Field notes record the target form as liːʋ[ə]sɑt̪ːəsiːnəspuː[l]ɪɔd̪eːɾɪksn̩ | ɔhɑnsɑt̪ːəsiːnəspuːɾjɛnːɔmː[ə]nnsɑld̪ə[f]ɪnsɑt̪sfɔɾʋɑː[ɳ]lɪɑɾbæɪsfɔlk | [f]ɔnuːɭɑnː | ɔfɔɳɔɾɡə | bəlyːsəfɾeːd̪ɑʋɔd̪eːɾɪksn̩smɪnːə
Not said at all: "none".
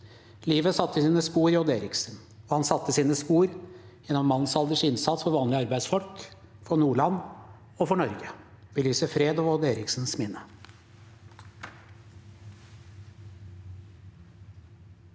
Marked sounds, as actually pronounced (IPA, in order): ə, ɾ, ɑ, ʂ, n, f

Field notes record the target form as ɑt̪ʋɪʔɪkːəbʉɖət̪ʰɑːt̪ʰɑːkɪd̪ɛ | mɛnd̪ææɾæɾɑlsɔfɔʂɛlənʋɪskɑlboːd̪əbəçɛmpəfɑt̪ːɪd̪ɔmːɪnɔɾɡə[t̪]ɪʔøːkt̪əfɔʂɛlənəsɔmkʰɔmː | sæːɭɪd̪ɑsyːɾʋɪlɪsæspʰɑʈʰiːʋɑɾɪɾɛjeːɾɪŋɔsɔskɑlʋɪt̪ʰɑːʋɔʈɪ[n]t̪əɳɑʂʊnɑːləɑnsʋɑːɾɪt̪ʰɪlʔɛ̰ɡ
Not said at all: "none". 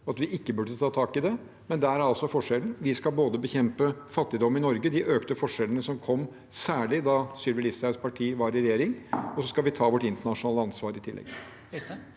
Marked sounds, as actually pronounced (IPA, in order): d̪, n

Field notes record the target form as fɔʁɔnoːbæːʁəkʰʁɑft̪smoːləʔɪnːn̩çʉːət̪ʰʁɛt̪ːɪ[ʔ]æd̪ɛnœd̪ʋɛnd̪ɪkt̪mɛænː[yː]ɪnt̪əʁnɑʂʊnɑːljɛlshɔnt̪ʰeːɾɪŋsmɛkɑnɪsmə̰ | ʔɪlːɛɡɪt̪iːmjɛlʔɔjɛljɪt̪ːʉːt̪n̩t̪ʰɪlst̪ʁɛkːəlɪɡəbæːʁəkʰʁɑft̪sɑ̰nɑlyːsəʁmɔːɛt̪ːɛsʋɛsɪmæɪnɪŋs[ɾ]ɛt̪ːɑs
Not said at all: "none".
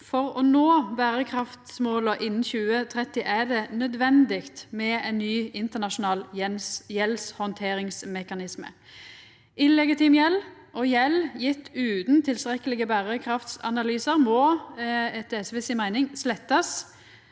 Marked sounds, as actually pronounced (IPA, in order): ʔ, yː, l

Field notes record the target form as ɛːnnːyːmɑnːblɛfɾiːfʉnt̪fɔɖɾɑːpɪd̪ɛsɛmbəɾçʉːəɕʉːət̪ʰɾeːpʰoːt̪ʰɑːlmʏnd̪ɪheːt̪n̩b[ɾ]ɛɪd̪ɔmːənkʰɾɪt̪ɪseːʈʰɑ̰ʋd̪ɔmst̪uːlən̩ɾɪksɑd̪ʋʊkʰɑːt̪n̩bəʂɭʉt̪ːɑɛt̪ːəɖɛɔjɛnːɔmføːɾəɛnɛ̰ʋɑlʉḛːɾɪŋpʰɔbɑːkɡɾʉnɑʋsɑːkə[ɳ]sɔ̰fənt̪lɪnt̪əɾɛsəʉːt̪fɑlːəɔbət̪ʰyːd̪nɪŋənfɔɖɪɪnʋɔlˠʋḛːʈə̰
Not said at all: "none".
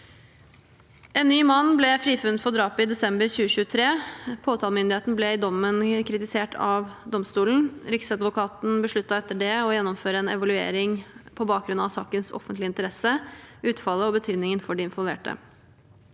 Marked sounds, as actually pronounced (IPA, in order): l, n

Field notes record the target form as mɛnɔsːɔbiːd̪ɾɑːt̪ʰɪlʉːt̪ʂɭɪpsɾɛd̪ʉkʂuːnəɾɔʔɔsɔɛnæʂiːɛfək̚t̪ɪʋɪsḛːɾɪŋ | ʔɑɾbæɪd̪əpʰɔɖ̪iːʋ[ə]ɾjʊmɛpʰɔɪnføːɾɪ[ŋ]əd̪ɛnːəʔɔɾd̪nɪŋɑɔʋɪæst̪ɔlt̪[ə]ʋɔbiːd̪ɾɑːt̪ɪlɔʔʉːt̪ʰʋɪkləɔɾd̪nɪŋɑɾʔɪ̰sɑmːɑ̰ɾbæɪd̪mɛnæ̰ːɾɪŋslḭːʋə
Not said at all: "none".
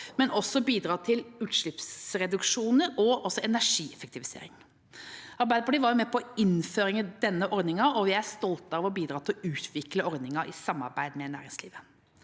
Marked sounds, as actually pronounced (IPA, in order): ɑ, ŋ, ɑ

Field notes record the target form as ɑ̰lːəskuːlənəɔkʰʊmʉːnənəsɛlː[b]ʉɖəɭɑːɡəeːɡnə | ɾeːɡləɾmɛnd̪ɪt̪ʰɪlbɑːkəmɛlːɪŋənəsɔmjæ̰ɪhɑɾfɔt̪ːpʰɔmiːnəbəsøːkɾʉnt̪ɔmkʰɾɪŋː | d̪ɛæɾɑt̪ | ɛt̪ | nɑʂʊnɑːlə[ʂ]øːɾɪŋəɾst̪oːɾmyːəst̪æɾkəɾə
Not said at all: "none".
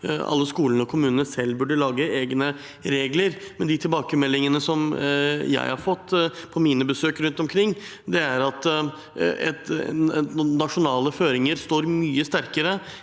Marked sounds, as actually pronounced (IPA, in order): b, f

